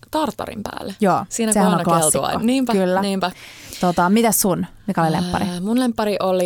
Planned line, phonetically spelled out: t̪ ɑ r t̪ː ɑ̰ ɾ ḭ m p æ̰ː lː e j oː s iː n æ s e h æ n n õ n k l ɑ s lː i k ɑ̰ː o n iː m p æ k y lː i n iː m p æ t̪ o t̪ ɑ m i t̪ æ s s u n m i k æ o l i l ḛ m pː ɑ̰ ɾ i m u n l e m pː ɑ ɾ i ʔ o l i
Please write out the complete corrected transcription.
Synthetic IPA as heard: t̪ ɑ r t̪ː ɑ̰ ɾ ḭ m p æ̰ː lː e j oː s iː n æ s e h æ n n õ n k l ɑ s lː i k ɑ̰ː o n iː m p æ k y lː æ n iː m p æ t̪ o t̪ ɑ m i t̪ æ s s u n m i k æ o l i l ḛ m pː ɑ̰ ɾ i m u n l e m pː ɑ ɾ i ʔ o l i